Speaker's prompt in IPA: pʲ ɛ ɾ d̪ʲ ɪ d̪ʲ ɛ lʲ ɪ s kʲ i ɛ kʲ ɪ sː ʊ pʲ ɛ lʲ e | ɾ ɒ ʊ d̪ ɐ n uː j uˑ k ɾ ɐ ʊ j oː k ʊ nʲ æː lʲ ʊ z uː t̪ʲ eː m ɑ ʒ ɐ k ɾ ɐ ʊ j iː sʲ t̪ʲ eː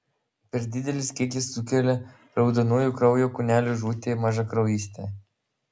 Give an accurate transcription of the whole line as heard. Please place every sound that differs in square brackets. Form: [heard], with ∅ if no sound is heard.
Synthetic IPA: pʲ ɛ ɾ d̪ʲ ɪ d̪ʲ ɛ lʲ ɪ s kʲ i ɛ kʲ ɪ sː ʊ [kʲ] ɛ lʲ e | ɾ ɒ ʊ d̪ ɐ n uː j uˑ k ɾ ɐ ʊ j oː k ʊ nʲ æː lʲ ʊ [ʒ] uː t̪ʲ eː m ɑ ʒ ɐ k ɾ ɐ ʊ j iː sʲ t̪ʲ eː